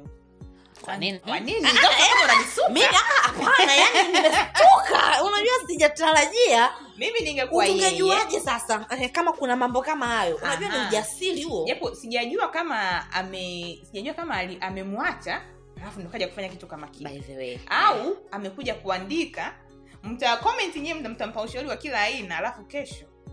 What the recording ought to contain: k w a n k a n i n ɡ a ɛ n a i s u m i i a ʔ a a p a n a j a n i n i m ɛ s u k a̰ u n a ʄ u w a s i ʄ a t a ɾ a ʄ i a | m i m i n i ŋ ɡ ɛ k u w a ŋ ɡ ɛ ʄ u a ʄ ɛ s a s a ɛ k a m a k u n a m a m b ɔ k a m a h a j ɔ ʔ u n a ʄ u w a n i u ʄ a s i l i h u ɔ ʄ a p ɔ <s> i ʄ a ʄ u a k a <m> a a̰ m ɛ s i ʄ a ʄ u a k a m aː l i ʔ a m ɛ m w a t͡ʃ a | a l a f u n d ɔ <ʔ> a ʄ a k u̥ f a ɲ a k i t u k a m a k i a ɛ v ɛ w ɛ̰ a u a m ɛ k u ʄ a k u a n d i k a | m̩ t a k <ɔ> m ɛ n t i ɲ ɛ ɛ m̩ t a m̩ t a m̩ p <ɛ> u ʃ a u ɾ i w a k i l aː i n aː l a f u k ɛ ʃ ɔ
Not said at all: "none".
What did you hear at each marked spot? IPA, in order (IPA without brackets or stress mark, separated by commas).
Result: s, m, k, ɔ, a